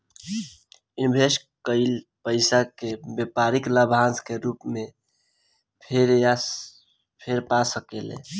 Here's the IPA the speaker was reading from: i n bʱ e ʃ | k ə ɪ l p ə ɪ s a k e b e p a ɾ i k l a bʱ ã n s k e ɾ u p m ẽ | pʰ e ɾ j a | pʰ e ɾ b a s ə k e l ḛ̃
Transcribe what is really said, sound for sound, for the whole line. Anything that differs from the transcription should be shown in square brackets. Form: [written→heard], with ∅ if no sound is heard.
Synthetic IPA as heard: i n bʱ e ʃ | k ə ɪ l p ə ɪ s a k e b e p a ɾ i k l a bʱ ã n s k e ɾ u p m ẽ | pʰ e ɾ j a | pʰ e ɾ [b→p] a s ə k e l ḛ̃